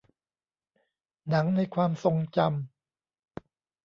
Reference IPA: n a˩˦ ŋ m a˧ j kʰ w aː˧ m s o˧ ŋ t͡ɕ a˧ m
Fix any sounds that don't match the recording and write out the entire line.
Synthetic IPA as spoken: n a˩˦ ŋ n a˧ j kʰ w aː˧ m s o˧ ŋ t͡ɕ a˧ m